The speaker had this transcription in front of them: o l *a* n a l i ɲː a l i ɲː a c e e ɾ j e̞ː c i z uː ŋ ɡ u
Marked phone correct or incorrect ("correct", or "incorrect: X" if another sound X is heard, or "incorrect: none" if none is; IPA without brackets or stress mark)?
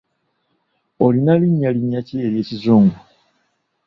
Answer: incorrect: i